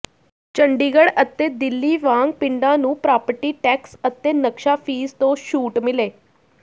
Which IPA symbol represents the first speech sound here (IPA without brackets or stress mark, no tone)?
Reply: t͡ʃ